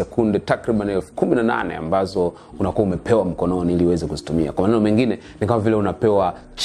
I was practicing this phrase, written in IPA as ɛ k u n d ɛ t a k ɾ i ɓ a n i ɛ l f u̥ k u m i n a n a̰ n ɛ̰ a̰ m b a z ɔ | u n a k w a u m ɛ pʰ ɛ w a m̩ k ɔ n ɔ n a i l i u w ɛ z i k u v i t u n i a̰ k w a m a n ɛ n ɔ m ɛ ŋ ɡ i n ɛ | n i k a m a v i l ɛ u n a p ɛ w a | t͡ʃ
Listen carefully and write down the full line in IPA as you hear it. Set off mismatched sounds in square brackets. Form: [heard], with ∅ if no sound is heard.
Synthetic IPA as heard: ɛ k u n d ɛ t a k ɾ i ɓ a n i ɛ l f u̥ k u m i n a n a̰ n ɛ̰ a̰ m b a z ɔ | u n a k [u] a u m ɛ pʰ ɛ w a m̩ k ɔ n ɔ n [i] i l i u w ɛ z [ɛ] k u [z] i t u [m] i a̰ k w a m a n ɛ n ɔ m ɛ ŋ ɡ i n ɛ | n i k a m a v i l ɛ u n a p ɛ w a | t͡ʃ